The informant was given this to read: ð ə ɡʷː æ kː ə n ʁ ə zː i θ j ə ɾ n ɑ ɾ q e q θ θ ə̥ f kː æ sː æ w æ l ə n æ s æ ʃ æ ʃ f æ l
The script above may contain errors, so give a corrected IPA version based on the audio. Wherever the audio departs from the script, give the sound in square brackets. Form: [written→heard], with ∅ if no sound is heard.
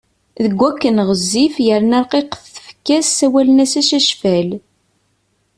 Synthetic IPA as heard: ð ə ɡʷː æ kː ə n ʁ ə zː i [θ→f] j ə ɾ n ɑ ɾ q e q θ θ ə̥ f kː æ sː æ w æ l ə n æ s æ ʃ æ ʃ f æ l